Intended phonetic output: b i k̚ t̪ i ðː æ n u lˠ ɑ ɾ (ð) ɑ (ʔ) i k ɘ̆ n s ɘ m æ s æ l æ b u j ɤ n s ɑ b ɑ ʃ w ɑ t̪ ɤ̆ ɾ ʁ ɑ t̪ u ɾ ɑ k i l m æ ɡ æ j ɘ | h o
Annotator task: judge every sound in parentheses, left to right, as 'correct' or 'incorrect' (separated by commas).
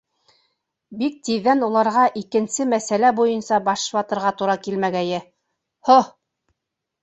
incorrect, correct